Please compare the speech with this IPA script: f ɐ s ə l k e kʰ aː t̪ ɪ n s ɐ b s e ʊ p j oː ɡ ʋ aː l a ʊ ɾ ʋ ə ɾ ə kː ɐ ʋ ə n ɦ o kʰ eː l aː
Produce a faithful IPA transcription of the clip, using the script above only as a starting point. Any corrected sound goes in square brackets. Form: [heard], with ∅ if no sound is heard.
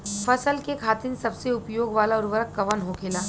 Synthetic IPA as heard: f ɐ s ə l k e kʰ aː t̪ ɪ n s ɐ b s e ʊ p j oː ɡ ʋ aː l a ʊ ɾ ʋ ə ɾ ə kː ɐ ʋ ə n ɦ o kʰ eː l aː